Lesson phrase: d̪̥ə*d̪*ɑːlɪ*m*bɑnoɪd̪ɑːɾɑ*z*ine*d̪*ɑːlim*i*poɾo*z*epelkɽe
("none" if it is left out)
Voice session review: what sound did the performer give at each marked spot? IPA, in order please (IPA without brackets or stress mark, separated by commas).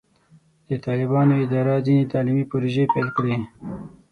t̪, none, z, t̪, i, ʒ